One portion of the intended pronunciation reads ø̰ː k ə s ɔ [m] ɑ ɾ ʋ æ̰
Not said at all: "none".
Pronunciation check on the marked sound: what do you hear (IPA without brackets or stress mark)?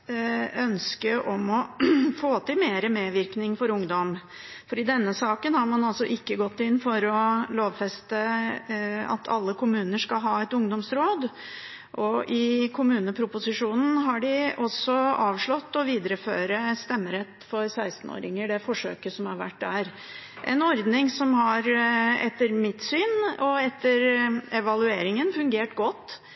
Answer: m